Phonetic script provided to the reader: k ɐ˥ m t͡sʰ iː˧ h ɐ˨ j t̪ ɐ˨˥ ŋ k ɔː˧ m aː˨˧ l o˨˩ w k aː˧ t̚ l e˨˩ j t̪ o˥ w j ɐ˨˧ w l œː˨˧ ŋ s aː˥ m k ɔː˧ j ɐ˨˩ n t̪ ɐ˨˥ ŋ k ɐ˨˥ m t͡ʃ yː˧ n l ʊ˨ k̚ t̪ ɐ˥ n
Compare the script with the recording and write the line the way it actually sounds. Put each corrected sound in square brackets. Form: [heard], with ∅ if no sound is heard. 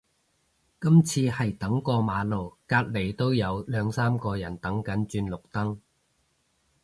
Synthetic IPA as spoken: k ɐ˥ m t͡sʰ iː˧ h ɐ˨ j t̪ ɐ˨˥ ŋ k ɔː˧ m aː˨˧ l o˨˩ w k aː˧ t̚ l e˨˩ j t̪ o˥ w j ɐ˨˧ w l œː˨˧ ŋ s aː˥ m k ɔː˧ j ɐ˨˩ n t̪ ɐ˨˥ ŋ k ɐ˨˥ [n] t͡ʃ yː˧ n l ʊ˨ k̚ t̪ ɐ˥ [ŋ]